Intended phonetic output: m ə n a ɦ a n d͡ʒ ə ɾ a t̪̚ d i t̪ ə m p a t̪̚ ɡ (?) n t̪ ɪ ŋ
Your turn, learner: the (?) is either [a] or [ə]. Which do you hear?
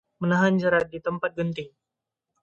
ə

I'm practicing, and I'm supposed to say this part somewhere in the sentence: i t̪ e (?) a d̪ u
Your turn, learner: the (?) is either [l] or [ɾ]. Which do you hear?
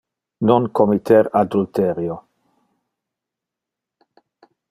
ɾ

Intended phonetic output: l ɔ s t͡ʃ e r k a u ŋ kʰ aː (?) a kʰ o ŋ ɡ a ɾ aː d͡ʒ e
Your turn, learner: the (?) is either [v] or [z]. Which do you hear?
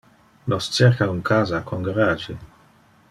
z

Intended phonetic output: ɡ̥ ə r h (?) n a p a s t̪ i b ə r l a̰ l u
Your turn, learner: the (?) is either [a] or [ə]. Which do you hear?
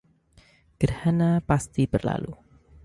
a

